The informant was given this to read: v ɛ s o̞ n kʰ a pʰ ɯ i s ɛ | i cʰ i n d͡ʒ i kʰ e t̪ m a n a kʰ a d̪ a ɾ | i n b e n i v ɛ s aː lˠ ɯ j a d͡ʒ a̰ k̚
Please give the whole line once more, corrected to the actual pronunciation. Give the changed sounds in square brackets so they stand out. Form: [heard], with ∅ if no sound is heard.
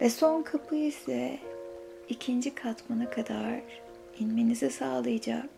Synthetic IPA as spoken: v ɛ s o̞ n kʰ a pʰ ɯ i s ɛ | i cʰ i n d͡ʒ i kʰ [a] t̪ m a n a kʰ a d̪ a ɾ | i n [m] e n i [z] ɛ s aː lˠ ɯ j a d͡ʒ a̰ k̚